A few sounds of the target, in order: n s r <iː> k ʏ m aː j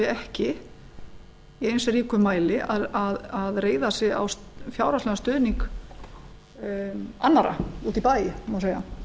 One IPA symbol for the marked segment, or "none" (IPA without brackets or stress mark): iː